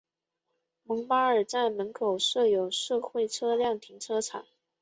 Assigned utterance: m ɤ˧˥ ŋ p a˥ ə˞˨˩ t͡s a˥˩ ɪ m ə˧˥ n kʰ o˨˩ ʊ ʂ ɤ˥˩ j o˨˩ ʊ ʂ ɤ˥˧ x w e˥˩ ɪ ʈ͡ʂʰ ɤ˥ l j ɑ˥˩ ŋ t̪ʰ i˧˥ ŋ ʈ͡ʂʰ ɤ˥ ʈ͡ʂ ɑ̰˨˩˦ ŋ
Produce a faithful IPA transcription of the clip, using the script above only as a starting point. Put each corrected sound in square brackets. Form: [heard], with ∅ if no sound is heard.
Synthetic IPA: m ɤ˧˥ ŋ p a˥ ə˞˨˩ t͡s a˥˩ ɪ m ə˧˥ n kʰ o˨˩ ʊ ʂ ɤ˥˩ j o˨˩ ʊ ʂ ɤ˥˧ x w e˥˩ ɪ ʈ͡ʂʰ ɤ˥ l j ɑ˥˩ ŋ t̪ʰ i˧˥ ŋ ʈ͡ʂʰ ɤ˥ [ʈ͡ʂʰ] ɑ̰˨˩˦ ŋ